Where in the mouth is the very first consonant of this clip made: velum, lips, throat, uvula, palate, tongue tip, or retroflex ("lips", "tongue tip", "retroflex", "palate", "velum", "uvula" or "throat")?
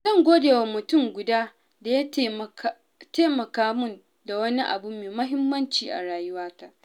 tongue tip